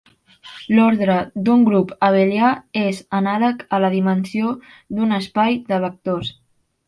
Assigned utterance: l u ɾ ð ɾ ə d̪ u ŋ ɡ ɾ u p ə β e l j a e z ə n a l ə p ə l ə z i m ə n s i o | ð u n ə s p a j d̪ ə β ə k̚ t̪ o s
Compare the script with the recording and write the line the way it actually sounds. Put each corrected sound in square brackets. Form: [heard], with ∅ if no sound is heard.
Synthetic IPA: l [ɔ] ɾ ð ɾ ə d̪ u ŋ ɡ ɾ u p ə β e l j a e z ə n a l ə [k] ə l ə [ð] i m ə n s i o | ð u n ə s p a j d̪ ə β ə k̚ t̪ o s